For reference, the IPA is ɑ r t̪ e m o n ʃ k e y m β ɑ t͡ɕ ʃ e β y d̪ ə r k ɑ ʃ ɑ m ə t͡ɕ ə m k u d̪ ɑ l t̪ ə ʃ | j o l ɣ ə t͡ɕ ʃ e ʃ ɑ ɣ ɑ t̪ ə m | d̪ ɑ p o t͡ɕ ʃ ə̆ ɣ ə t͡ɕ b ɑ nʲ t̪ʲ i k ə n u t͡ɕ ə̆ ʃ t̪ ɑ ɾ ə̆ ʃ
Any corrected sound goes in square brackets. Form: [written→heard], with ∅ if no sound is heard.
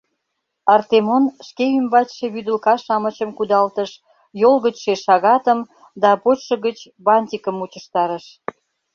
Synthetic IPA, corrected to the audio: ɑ r t̪ e m o n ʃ k e y m [β→b] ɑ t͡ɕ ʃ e β y d̪ ə [r→l] k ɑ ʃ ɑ m ə t͡ɕ ə m k u d̪ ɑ l t̪ ə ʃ | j o l ɣ ə t͡ɕ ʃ e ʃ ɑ ɣ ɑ t̪ ə m | d̪ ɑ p o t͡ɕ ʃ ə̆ ɣ ə t͡ɕ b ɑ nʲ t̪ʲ i k ə [n→m] u t͡ɕ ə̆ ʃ t̪ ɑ ɾ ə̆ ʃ